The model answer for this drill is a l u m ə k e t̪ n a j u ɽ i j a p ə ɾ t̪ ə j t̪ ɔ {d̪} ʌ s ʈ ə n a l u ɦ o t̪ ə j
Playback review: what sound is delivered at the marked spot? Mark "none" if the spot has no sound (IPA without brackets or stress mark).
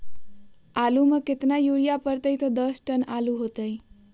d̪